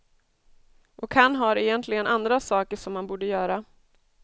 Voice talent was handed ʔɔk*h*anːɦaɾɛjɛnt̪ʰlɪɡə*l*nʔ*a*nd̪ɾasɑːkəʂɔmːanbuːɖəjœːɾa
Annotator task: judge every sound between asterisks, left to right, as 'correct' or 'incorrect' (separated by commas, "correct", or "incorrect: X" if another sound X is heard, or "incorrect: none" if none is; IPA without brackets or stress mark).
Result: correct, incorrect: none, correct